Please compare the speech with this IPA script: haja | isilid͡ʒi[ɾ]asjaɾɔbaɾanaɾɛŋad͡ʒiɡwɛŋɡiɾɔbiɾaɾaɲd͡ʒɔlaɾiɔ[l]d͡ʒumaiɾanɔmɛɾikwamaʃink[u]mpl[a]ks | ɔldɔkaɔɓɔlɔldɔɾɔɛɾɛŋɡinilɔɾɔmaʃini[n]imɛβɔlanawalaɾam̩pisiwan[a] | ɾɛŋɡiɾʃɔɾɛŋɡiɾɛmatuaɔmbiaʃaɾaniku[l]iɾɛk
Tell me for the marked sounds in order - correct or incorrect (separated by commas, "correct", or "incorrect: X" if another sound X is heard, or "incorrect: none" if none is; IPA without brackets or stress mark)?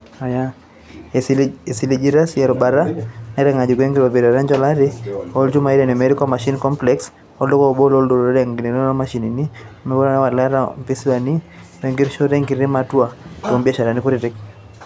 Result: correct, correct, incorrect: ɔ, incorrect: ɛ, correct, incorrect: i, incorrect: ɾ